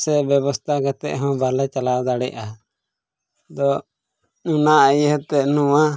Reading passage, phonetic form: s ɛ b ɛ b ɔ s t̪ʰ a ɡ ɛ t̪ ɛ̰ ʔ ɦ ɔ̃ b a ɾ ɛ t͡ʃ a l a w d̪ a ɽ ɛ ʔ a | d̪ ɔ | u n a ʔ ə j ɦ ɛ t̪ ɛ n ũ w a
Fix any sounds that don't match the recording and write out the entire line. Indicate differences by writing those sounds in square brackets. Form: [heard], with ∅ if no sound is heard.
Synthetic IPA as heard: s ɛ b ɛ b ɔ s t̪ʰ a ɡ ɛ t̪ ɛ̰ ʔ ɦ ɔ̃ b a [l] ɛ t͡ʃ a l a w d̪ a ɽ ɛ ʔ a | d̪ ɔ | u n a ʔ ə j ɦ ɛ t̪ ɛ n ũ w a